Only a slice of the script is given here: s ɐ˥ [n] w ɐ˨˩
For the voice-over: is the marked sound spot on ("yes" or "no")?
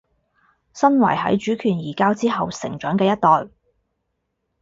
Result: yes